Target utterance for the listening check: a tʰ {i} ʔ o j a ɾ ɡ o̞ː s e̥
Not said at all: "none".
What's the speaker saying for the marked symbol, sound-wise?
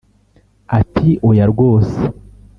i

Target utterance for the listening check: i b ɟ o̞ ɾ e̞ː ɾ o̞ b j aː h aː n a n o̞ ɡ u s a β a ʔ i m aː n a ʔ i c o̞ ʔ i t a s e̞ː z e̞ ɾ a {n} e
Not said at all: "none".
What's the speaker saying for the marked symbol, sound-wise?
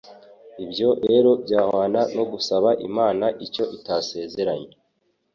ɲ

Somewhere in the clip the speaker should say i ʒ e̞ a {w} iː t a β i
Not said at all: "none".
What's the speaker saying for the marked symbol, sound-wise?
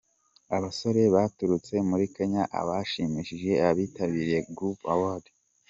β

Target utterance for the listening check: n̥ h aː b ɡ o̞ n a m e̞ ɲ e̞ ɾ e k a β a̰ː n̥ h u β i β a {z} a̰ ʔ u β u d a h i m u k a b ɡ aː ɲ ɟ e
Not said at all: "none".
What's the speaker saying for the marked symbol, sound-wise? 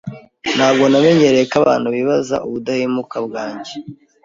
z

